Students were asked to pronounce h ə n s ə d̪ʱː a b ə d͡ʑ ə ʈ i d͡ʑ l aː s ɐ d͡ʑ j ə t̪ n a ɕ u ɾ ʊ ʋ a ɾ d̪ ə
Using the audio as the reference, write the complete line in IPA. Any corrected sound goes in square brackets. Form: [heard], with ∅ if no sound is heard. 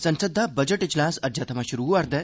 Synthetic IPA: [s] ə n s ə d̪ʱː a b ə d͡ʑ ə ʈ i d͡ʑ l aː s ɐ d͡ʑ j [a] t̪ [m] a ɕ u ɾ [u] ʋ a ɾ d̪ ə

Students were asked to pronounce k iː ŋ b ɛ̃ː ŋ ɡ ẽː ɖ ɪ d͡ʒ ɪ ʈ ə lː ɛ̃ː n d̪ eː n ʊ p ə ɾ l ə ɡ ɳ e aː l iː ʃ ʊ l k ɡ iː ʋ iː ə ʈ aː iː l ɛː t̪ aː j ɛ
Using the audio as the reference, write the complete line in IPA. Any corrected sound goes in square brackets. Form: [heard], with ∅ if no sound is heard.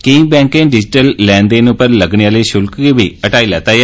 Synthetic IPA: k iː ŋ b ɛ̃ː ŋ [k] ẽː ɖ ɪ d͡ʒ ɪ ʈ ə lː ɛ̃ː n d̪ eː n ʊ p ə ɾ l ə ɡ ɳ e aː l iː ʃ ʊ l k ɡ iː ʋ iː ə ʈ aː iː l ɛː t̪ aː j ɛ

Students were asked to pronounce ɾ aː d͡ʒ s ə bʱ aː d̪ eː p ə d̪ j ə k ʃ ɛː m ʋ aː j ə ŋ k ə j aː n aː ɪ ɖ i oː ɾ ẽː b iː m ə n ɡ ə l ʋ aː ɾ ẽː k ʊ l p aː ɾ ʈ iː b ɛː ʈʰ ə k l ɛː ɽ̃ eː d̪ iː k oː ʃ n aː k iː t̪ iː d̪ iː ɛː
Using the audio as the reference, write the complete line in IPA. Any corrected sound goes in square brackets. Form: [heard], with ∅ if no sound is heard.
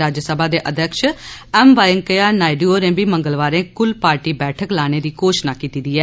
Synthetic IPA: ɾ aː d͡ʒ s ə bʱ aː d̪ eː [ʔ] ə d̪ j ə k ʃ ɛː m ʋ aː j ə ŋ k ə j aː n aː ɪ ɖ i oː ɾ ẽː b iː m ə [ŋ] ɡ ə l ʋ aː ɾ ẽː k ʊ l p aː ɾ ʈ iː b ɛː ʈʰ ə k l [aː] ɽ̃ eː d̪ iː k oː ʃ n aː k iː t̪ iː d̪ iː ɛː

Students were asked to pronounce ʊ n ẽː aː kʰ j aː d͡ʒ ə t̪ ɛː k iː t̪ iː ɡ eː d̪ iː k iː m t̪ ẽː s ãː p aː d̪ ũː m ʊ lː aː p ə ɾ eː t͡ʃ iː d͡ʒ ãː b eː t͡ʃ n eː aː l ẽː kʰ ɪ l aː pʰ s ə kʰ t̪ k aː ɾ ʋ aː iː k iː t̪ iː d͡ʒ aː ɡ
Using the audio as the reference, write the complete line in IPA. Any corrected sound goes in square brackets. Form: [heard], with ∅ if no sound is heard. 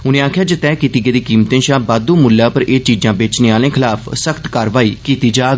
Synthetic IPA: ʊ n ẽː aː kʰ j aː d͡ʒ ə t̪ ɛː k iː t̪ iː ɡ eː d̪ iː k iː m t̪ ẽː [ʃ] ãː [b] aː d̪ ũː m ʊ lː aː p ə ɾ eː t͡ʃ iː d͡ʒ ãː b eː t͡ʃ n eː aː l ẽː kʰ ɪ l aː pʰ s ə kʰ t̪ k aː ɾ ʋ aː iː k iː t̪ iː d͡ʒ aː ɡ

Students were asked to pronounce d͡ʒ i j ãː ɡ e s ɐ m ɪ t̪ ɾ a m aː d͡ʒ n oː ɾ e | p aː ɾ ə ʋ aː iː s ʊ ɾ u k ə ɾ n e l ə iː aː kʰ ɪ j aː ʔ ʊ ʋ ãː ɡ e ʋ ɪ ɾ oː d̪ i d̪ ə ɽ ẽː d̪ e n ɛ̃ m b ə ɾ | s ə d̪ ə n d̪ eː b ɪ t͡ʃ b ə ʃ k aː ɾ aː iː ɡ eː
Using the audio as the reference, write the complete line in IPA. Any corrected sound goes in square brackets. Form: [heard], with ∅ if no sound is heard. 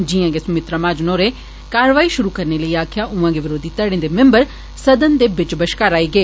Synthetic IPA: d͡ʒ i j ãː ɡ e s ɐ m ɪ t̪ ɾ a m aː d͡ʒ n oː ɾ e | [k] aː ɾ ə ʋ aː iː [ʃ] ʊ ɾ u k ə ɾ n e l ə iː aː kʰ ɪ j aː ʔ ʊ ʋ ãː ɡ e ʋ ɪ ɾ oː d̪ i [t̪] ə ɽ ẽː d̪ e [m] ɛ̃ m b ə ɾ | s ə d̪ ə n d̪ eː b ɪ t͡ʃ b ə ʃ k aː ɾ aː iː ɡ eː

